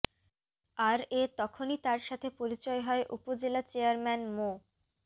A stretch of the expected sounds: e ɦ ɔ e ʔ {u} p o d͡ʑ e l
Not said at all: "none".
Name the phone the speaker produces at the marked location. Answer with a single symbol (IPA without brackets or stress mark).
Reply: u